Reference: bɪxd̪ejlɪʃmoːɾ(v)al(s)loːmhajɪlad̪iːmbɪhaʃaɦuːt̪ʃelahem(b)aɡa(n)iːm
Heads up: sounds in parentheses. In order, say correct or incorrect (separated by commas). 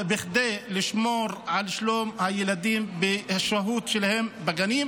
incorrect, incorrect, correct, correct